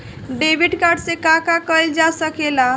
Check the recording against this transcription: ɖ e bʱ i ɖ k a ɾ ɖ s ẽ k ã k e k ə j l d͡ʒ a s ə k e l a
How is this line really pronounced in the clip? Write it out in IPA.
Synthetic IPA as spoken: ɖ e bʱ i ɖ k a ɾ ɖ s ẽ k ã k a k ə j l d͡ʒ a s ə k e l a